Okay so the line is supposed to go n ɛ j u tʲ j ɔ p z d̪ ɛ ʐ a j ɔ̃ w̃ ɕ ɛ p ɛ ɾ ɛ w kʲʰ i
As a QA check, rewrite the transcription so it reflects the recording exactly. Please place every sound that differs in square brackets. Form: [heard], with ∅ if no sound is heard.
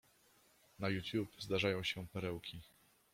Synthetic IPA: n [a] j u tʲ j [u] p z d̪ [a] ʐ a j ɔ̃ w̃ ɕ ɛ p ɛ ɾ ɛ w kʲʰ i